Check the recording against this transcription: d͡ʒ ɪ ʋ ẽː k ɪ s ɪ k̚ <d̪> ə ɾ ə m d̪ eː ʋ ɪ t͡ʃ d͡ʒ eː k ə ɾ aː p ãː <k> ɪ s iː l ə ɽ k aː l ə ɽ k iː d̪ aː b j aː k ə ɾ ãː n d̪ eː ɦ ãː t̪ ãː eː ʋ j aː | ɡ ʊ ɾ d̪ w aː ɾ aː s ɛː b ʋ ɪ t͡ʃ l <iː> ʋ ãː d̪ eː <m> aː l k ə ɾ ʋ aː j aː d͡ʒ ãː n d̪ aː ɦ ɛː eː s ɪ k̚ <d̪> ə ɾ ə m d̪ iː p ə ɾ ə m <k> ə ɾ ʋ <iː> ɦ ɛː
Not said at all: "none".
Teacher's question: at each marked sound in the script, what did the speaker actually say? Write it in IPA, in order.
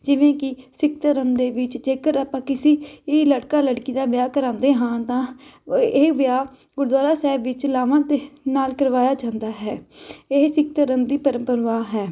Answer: t̪, k, aː, n, t̪, p, aː

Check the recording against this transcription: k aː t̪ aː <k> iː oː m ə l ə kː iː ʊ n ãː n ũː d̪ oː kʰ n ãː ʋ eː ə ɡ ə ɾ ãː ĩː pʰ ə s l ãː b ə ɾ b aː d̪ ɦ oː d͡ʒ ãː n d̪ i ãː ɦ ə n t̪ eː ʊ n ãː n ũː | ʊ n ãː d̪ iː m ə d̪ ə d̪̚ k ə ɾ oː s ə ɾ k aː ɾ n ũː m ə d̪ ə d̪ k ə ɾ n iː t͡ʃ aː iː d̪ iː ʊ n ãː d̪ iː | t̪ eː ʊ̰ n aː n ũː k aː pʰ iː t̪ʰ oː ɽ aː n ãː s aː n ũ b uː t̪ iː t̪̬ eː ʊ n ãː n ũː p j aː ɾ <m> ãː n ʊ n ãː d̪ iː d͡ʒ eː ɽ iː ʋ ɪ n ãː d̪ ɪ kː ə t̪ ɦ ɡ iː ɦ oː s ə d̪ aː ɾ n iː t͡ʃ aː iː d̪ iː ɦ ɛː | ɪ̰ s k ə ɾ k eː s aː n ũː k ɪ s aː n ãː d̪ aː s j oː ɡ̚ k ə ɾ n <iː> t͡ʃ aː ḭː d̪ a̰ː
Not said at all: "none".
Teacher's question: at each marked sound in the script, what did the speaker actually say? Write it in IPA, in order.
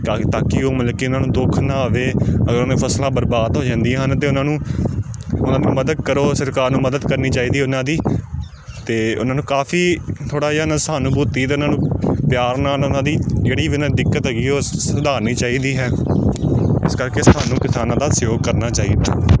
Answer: k, n, aː

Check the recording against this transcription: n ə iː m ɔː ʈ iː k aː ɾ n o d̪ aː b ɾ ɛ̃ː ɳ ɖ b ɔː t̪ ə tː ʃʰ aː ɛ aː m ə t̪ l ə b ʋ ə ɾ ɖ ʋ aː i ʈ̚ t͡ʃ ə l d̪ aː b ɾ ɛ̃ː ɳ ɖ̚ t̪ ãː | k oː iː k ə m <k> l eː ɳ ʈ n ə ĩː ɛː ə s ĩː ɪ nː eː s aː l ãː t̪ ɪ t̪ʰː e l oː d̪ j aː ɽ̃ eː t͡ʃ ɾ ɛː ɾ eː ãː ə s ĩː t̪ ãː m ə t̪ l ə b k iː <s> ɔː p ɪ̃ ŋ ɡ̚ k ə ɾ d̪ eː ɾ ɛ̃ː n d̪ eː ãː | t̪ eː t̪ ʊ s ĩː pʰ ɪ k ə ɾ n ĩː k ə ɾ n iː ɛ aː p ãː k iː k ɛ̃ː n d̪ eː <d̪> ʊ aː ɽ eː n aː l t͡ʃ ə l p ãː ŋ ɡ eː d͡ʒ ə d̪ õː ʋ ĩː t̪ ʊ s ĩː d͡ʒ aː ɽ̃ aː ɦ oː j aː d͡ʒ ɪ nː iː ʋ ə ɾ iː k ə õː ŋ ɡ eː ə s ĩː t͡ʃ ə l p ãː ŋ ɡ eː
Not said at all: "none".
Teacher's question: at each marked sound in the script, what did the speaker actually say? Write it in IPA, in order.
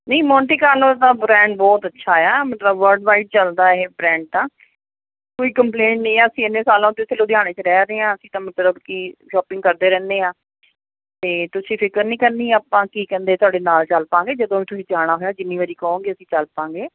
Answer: p, ʃ, t̪

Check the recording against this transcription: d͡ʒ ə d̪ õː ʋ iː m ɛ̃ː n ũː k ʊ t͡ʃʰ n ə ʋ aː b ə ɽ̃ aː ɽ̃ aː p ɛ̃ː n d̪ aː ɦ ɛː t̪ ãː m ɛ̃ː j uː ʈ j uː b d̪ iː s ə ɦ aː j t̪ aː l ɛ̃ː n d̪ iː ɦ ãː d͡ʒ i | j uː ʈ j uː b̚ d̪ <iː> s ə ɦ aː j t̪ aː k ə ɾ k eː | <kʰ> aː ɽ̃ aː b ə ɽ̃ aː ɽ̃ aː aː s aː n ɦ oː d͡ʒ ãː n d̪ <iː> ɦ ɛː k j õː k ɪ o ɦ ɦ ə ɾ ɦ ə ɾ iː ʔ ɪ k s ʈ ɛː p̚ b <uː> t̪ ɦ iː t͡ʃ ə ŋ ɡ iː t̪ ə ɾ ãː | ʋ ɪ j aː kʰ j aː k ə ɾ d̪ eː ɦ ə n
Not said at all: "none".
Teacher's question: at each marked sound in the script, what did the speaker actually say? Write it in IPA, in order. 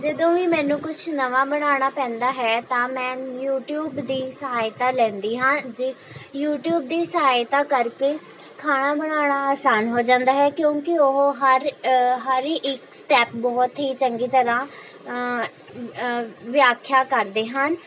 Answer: iː, kʰ, aː, ɔː

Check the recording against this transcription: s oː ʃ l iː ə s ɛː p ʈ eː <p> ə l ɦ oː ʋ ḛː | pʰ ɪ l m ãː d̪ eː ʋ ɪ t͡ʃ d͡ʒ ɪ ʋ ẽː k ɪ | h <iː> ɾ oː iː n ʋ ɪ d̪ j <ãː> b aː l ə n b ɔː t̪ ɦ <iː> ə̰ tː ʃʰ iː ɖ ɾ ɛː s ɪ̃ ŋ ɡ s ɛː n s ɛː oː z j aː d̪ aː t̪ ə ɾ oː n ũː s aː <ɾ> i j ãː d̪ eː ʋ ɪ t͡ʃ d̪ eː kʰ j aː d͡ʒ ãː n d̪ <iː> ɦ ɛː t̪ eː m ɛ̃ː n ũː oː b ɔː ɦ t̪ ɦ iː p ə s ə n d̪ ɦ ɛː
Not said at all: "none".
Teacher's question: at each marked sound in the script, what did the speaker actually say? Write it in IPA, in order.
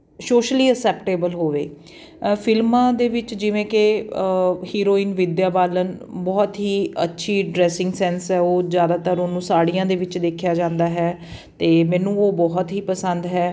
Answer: b, iː, aː, iː, ɽ, aː

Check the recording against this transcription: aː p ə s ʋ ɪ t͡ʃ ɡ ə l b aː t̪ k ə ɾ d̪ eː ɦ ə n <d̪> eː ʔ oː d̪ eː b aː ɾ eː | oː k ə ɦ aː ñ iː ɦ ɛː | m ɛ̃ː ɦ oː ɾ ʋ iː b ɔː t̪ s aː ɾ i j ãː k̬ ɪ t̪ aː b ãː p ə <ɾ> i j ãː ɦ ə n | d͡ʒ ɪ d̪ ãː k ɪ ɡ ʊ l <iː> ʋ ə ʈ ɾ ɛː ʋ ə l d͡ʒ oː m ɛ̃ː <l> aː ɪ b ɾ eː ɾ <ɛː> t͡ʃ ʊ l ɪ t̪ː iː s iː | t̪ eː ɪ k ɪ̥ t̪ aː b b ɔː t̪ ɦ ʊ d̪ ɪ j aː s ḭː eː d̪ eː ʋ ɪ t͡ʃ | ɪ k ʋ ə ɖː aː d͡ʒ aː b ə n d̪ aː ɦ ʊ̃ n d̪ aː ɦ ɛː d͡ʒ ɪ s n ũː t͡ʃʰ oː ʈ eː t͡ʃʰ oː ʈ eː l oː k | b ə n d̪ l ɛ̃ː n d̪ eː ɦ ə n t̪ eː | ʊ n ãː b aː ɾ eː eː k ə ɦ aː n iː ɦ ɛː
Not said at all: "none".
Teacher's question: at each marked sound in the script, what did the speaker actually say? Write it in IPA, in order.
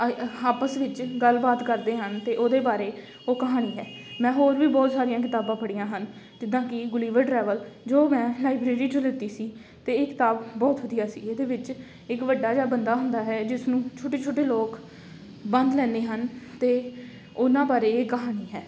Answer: t̪, ɽ, iː, l, iː

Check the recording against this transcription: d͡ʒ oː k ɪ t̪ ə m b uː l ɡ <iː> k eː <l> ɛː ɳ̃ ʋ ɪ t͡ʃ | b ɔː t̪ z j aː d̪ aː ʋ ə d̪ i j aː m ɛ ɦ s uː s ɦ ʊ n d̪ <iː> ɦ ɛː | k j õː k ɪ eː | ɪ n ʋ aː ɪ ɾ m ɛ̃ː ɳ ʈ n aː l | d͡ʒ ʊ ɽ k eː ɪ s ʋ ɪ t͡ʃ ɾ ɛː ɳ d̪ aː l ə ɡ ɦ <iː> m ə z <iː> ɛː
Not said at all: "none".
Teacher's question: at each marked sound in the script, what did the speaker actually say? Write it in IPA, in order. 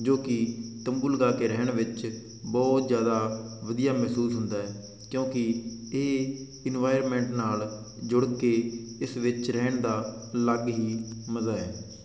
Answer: aː, ɾ, aː, iː, aː

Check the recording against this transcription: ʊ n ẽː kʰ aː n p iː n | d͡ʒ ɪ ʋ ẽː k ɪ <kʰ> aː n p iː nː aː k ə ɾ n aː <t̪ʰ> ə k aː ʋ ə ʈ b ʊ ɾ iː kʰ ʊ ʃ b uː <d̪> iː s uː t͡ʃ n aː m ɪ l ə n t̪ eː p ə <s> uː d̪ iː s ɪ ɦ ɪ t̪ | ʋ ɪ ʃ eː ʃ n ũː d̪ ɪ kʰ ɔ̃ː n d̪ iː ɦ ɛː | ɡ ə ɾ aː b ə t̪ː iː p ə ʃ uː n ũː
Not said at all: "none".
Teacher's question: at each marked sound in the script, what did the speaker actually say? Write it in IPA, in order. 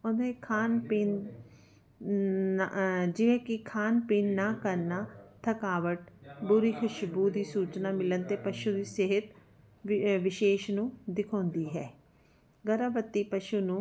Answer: kʰ, t̪ʰ, d̪, ʃ

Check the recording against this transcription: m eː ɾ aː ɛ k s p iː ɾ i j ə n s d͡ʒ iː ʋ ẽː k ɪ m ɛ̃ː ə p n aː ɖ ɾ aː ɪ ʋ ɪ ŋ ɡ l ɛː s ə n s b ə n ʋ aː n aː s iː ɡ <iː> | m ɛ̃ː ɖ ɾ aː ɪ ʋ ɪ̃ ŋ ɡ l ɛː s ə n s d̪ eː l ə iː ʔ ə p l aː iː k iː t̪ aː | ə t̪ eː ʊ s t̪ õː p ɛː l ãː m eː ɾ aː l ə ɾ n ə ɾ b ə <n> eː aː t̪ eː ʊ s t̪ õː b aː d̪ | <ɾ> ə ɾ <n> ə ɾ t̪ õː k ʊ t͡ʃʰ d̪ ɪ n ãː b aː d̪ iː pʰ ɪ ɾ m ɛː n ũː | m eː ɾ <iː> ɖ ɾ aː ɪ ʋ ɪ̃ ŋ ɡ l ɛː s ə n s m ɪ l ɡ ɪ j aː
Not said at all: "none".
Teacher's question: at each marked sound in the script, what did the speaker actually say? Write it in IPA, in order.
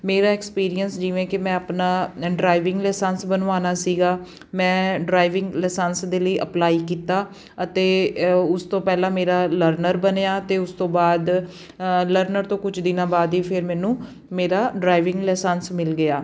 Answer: aː, n, l, n, aː

